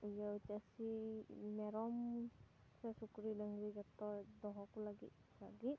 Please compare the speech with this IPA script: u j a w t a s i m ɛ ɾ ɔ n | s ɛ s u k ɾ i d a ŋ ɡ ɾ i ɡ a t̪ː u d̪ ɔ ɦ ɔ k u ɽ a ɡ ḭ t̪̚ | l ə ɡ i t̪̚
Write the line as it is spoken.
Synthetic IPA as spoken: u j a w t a s i m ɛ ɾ ɔ m | s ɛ s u k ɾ i d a ŋ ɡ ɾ i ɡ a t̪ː ɔ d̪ ɔ ɦ ɔ k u l a ɡ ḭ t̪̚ | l a ɡ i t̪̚